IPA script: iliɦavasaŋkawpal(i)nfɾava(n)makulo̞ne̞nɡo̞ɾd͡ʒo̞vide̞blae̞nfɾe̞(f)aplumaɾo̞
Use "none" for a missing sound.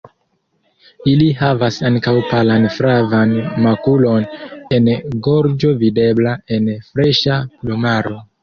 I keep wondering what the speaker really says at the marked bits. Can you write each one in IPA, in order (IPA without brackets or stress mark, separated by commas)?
a, n, ʃ